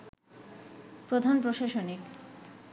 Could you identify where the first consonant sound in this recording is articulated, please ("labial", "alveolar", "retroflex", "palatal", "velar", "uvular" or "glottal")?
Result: labial